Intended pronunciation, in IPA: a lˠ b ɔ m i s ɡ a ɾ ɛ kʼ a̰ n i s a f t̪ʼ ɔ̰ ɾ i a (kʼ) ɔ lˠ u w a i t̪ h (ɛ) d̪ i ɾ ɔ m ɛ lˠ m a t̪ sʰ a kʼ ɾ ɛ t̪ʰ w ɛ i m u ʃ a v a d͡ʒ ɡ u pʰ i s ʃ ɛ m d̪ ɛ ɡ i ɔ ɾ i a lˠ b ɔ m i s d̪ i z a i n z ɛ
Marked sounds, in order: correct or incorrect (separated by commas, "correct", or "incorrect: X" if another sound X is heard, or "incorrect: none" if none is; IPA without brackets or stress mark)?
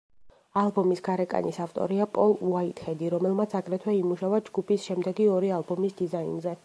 incorrect: pʼ, correct